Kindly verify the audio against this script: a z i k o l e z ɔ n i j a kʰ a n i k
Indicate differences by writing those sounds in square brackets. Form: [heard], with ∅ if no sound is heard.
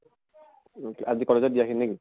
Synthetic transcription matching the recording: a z i k [ɔ] l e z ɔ [d] i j a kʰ [i] n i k